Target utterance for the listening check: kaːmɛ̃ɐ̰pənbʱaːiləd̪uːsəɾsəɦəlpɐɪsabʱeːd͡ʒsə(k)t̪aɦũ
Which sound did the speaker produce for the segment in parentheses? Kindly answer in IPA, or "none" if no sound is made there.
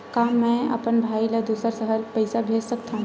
k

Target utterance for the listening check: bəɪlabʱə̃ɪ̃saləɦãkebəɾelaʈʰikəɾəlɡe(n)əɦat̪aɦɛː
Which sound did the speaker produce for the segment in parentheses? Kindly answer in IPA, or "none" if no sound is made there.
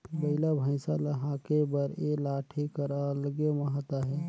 m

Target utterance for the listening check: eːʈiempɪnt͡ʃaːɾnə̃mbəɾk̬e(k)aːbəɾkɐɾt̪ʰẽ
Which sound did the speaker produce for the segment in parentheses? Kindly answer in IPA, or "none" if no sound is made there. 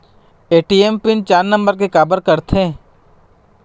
k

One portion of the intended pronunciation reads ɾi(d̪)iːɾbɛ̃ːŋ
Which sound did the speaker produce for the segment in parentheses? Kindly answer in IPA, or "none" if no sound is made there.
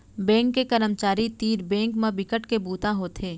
t̪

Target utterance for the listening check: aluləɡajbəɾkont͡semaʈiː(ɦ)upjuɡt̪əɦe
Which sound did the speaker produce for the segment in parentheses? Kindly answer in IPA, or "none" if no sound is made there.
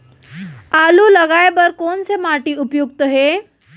none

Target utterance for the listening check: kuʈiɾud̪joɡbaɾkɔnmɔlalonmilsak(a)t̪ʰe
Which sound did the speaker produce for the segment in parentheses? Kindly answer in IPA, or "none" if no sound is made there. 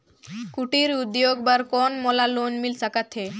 a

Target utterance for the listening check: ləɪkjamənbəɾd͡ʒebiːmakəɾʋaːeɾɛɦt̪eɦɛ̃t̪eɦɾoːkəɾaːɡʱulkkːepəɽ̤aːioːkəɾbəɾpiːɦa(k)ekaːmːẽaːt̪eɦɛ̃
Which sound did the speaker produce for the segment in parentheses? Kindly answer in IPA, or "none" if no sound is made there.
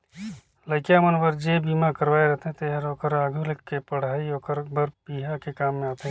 k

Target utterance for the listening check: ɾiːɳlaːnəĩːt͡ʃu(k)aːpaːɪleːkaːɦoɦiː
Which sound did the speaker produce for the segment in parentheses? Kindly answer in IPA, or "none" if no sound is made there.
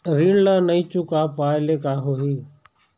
k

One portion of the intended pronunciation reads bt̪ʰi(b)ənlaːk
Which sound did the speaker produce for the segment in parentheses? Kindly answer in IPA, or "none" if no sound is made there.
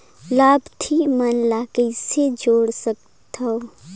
m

